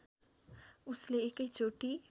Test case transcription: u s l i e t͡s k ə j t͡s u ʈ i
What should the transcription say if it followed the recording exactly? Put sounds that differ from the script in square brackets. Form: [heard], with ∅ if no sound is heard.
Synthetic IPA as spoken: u s l [e] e [∅] k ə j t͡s [o] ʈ i